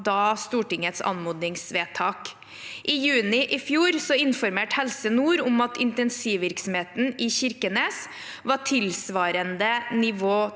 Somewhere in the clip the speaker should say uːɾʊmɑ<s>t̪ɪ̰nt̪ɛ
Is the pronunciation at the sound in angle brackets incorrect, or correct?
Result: incorrect